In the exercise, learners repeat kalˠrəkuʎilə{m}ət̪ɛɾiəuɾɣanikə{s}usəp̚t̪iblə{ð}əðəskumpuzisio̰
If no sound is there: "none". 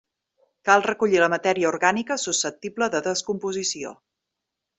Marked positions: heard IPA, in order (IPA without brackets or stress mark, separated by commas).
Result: m, s, ð